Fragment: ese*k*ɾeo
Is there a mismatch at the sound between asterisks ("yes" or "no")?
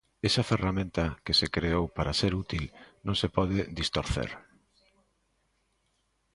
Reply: no